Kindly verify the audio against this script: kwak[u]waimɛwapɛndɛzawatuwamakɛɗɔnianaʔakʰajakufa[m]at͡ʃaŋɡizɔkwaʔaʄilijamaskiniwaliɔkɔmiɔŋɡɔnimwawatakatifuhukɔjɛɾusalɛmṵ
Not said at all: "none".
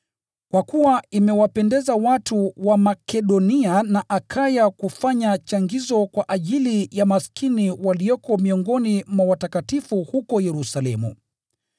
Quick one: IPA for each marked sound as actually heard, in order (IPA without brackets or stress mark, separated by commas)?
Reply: u, ɲ